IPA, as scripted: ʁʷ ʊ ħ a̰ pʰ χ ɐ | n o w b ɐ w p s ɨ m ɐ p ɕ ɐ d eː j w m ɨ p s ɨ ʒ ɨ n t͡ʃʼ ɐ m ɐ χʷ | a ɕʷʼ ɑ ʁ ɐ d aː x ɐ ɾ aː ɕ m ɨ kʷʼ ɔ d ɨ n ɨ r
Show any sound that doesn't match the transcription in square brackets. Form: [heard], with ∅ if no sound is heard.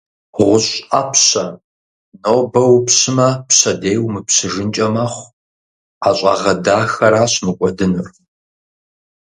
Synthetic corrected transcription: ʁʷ ʊ [ɕ] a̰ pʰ [ɕ] ɐ | n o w b ɐ w p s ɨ m ɐ p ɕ ɐ d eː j w m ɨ p s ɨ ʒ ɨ n t͡ʃʼ ɐ m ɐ χʷ | a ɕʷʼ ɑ ʁ ɐ d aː x ɐ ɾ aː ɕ m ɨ kʷʼ ɔ d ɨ n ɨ r